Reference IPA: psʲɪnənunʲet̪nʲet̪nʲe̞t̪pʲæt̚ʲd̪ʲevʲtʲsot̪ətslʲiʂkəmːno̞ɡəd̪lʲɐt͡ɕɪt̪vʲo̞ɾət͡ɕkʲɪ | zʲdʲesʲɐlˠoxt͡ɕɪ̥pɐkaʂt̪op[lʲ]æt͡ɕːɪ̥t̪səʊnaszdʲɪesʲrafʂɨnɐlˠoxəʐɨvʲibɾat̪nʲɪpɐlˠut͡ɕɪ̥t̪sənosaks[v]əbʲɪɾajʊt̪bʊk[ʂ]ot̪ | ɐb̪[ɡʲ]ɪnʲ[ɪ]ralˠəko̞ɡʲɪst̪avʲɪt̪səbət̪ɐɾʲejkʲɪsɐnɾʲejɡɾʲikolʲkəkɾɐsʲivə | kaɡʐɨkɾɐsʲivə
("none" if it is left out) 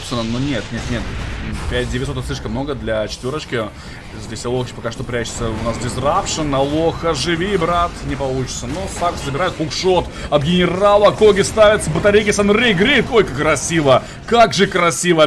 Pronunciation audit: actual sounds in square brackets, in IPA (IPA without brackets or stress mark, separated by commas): ɾʲ, z, ʂ, ɡʲ, ɪ